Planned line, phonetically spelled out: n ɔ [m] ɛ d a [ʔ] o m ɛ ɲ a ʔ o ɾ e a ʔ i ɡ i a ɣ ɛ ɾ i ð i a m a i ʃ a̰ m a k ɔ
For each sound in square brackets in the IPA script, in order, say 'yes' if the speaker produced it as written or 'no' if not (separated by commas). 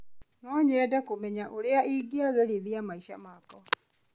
no, no